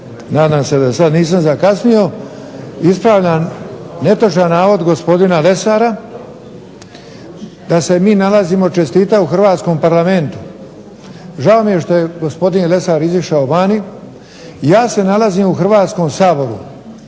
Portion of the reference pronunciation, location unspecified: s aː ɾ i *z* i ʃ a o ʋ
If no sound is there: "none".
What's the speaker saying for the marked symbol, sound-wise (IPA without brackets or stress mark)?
z